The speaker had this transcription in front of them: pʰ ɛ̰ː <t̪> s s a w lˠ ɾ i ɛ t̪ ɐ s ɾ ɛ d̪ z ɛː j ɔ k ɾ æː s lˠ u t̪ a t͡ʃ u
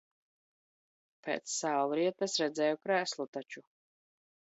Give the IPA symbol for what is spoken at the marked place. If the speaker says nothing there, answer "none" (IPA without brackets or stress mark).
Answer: t̪